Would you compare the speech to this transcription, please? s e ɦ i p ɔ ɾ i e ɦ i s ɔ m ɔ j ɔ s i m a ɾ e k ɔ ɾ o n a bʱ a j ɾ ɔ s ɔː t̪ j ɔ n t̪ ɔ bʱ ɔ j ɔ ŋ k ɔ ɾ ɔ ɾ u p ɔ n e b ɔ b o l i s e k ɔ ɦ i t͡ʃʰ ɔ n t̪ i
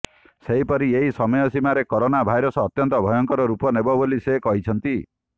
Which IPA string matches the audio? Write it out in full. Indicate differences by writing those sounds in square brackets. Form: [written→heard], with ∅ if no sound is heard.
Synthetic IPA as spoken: s e ɦ i p ɔ ɾ i e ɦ i s ɔ m ɔ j ɔ s i m a ɾ e k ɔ ɾ o n a bʱ a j ɾ ɔ s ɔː t̪ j ɔ n t̪ ɔ bʱ ɔ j ɔ ŋ k ɔ ɾ ɔ ɾ u p ɔ n e b ɔ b o l i s e k ɔ ɦ i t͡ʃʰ ɔ n t̪ i